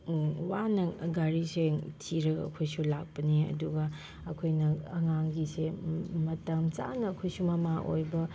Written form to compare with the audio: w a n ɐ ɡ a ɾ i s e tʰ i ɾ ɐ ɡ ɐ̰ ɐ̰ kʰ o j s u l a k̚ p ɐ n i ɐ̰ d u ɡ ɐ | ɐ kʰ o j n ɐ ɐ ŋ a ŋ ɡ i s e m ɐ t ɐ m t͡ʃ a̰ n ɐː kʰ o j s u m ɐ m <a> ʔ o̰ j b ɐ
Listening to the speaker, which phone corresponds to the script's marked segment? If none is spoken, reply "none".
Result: a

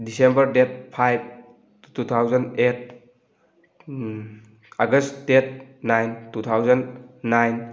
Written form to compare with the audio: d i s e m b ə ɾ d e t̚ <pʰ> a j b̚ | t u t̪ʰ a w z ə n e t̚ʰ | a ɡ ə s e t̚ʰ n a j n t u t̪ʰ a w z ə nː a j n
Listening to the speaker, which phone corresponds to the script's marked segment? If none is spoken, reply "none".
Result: pʰ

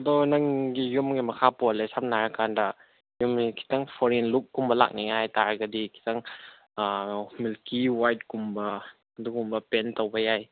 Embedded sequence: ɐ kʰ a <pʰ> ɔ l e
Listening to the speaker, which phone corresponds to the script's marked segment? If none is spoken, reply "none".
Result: p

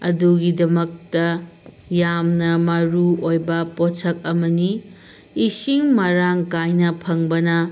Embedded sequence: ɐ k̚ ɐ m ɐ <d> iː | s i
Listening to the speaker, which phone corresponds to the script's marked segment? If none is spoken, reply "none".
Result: n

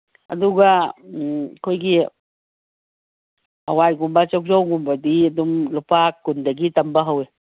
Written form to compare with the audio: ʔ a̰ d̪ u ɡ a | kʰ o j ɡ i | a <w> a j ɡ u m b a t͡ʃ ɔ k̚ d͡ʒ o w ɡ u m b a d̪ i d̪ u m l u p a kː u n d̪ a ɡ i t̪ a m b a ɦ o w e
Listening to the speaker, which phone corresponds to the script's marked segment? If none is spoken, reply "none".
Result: w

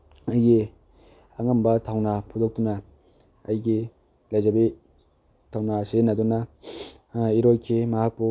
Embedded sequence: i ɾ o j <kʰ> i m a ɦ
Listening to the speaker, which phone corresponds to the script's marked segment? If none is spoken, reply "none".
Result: kʰ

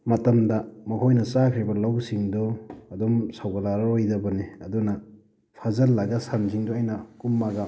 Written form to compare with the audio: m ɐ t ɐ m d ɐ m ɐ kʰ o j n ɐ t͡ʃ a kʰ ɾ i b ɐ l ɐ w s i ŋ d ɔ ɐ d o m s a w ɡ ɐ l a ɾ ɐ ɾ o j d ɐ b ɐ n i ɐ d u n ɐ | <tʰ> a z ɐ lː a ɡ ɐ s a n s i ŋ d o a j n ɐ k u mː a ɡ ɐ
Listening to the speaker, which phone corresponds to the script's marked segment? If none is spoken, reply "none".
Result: pʰ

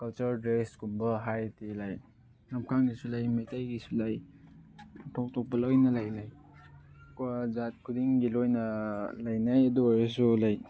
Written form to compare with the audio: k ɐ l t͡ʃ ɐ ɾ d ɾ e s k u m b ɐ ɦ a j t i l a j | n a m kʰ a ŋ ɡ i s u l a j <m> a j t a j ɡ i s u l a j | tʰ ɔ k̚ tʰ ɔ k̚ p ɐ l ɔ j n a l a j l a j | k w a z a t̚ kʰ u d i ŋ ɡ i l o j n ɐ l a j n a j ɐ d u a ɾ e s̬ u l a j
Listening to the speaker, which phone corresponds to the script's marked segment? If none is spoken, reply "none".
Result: m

